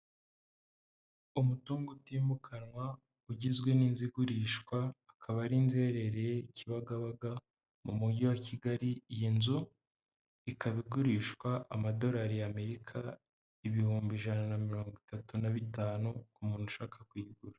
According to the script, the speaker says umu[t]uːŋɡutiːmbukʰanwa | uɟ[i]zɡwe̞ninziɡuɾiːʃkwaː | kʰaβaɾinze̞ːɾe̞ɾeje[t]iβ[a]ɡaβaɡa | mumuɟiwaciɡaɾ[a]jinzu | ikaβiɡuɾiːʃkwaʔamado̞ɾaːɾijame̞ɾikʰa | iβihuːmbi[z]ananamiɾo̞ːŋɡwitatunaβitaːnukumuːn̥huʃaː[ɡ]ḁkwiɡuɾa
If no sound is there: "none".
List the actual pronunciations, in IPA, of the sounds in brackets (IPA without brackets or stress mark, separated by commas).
t, i, c, a, i, ʒ, k